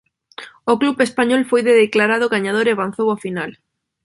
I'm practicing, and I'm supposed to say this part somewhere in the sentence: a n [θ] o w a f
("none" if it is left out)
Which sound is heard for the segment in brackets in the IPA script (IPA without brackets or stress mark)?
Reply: θ